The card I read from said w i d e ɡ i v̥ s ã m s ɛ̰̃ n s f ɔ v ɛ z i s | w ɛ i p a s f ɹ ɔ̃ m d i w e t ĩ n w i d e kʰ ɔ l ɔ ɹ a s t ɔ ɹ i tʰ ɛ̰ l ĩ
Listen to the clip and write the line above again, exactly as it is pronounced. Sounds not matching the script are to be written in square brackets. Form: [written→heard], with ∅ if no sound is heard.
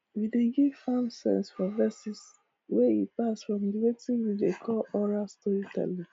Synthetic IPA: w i d e ɡ i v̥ [s→f] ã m s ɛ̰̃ n s f ɔ v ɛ [z→s] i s | w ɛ i p a s f ɹ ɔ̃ m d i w e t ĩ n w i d e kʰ ɔ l ɔ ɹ a s t ɔ ɹ i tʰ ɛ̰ l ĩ